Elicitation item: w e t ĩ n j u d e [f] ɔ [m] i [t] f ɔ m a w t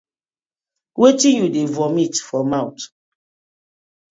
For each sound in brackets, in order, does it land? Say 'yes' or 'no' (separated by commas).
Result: no, yes, yes